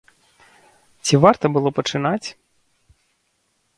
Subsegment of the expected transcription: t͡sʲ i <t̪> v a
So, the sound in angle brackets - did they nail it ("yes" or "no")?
no